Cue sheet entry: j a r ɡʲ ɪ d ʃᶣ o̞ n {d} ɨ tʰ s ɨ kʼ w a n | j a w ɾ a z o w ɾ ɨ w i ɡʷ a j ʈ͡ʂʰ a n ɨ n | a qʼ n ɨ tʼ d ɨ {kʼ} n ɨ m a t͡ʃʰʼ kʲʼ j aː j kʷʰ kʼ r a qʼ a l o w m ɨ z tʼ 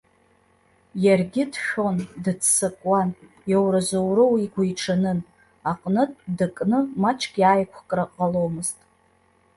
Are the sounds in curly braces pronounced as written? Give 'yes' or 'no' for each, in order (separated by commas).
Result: yes, yes